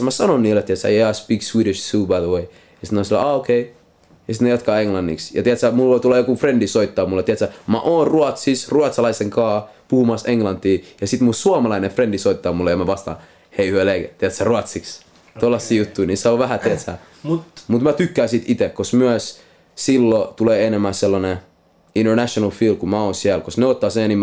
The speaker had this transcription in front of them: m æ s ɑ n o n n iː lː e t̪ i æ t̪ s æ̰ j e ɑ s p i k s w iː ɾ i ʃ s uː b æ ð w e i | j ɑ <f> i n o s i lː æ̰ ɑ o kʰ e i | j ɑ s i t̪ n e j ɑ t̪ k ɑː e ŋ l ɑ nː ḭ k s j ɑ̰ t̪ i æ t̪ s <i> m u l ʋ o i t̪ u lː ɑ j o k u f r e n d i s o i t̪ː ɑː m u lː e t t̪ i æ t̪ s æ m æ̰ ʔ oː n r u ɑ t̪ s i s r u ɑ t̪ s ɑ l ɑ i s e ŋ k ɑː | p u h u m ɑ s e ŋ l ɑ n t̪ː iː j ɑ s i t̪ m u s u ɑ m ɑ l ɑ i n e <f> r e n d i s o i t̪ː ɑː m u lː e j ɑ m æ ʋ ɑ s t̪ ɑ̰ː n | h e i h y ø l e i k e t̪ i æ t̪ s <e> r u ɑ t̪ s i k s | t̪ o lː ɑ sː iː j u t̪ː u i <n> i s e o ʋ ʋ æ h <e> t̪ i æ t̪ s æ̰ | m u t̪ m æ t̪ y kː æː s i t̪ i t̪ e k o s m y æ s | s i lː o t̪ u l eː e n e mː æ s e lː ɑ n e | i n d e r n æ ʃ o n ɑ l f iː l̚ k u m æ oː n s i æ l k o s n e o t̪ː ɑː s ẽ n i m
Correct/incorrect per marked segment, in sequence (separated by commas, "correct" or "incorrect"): incorrect, incorrect, correct, incorrect, correct, incorrect